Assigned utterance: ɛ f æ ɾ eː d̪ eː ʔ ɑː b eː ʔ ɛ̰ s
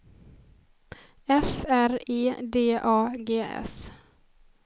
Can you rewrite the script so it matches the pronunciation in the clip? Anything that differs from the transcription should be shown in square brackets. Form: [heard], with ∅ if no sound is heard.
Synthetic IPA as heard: ɛ f æ ɾ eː d̪ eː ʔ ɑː [ɡ] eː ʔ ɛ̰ s